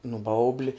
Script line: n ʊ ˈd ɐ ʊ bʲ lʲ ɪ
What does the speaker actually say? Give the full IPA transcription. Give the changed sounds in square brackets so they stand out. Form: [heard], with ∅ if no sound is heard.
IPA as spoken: n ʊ [ˈb] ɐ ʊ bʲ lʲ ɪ